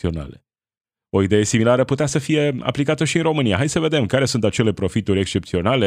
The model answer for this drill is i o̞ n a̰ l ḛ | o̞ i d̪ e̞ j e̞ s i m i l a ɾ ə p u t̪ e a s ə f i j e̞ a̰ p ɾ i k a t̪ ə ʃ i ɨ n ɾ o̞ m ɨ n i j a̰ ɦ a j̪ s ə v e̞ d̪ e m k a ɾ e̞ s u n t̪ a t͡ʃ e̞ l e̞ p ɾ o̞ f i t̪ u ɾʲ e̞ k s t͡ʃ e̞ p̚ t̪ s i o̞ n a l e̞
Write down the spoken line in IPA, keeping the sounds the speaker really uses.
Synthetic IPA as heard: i o̞ n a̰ l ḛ | o̞ i d̪ e̞ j e̞ s i m i l a ɾ ə p u t̪ e a s ə f i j e̞ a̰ p l i k a t̪ ə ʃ i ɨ n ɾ o̞ m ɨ n i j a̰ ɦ a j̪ s ə v e̞ d̪ e m k a ɾ e̞ s u n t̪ a t͡ʃ e̞ l e̞ p ɾ o̞ f i t̪ u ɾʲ e̞ k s t͡ʃ e̞ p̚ t̪ s i o̞ n a l e̞